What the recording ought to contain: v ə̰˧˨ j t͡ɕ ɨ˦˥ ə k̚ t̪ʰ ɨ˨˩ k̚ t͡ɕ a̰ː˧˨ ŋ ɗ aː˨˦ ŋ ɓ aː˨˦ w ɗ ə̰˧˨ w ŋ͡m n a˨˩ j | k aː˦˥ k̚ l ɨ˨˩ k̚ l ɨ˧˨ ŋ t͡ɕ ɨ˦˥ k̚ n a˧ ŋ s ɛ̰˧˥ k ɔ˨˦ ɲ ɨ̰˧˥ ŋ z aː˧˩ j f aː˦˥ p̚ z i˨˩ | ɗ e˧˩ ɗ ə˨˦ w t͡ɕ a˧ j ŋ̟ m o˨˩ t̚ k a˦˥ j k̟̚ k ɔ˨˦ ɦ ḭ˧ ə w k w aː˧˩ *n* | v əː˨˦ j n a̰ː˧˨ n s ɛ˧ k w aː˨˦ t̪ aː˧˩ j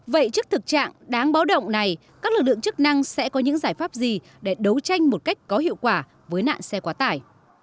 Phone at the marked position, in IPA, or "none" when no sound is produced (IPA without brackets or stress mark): none